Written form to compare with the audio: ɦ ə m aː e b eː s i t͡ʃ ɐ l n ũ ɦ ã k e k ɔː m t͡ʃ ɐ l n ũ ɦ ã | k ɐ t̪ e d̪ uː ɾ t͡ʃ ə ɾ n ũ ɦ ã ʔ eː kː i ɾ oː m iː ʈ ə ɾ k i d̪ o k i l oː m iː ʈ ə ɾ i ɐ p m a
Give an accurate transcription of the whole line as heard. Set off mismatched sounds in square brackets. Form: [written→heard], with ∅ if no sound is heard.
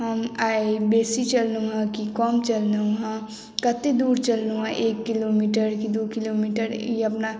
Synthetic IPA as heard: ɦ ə m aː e b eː s i t͡ʃ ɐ l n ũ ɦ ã k [e→i] k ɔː m t͡ʃ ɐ l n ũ ɦ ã | k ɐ t̪ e d̪ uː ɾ t͡ʃ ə [ɾ→l] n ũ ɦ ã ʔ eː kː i [ɾ→l] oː m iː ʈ ə ɾ k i d̪ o k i l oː m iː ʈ ə ɾ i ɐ p [m→n] a